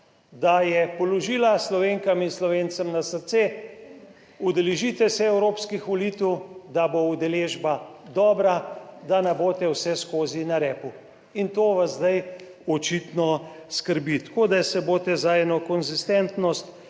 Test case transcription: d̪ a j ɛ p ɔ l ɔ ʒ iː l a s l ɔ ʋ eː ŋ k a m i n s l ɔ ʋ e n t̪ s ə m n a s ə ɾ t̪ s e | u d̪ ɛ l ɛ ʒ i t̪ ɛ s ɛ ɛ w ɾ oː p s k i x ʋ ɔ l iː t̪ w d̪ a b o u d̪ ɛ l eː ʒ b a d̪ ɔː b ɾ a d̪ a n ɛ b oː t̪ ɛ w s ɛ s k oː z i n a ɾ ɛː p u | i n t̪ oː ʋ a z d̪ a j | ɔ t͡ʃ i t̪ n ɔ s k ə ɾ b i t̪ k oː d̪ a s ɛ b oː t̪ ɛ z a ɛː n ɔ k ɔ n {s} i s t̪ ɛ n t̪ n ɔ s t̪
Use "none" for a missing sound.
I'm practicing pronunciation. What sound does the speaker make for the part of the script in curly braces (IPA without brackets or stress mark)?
z